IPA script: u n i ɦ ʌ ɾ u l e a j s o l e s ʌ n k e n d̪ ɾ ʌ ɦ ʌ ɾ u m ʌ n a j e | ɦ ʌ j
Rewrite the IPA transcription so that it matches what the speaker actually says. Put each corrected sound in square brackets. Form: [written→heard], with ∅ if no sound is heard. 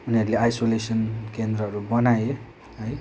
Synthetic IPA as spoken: u n i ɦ ʌ ɾ u l e a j s o l e s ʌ n k e n d̪ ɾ ʌ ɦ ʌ ɾ u [m→b] ʌ n a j e | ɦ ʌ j